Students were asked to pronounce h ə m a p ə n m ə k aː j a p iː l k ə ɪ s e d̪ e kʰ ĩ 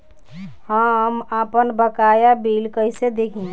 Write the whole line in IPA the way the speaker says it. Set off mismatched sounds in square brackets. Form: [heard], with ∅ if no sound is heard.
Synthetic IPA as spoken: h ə m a p ə n [b] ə k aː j a [b] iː l k ə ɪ s e d̪ e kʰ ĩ

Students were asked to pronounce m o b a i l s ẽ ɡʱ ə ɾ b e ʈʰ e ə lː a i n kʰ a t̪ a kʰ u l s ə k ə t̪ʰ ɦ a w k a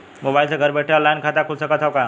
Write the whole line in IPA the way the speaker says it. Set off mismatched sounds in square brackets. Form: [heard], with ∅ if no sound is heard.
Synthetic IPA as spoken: m o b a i l s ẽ ɡʱ ə ɾ b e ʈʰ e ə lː a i n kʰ a t̪ a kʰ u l s ə k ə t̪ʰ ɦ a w k a

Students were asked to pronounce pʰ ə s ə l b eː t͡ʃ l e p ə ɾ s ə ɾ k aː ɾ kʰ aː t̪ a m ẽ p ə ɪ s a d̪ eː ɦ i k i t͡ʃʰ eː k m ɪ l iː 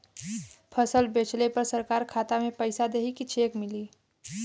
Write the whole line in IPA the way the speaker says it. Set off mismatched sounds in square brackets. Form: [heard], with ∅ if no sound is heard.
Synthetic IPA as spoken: pʰ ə s ə l b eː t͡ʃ l e p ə ɾ s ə ɾ k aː ɾ kʰ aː t̪ a m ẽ p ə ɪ s a d̪ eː ɦ i k i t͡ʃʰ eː k m ɪ l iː

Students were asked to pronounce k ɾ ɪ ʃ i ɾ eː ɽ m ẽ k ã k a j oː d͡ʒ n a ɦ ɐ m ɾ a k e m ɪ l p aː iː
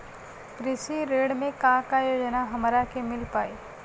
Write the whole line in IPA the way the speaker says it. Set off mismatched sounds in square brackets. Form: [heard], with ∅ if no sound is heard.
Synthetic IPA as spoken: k ɾ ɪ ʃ i ɾ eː ɽ m ẽ k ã k a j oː d͡ʒ n a ɦ ɐ m ɾ a k e m ɪ l p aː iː

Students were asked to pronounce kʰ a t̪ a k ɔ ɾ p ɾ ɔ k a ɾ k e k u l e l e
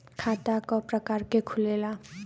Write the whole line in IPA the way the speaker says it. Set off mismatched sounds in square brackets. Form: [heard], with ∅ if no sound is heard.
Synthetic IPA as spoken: kʰ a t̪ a k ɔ [∅] p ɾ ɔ k a ɾ k e [kʰ] u l e l [a]

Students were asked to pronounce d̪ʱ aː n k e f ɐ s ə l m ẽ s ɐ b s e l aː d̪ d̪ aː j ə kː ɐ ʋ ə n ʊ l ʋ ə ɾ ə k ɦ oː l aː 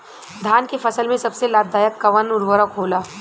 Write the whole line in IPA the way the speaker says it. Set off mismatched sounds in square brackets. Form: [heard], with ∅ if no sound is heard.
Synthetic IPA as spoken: d̪ʱ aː n k e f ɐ s ə l m ẽ s ɐ b s e l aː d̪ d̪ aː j ə kː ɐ ʋ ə n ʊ [ɾ] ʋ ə ɾ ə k ɦ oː l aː

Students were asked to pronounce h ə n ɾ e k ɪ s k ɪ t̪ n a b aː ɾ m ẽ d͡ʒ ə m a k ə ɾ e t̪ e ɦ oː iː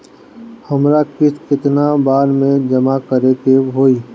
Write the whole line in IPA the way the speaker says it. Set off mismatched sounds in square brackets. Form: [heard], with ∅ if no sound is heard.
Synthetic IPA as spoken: h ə [m] ɾ [a] k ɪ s k ɪ t̪ n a b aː ɾ m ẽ d͡ʒ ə m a k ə ɾ e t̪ e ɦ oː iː

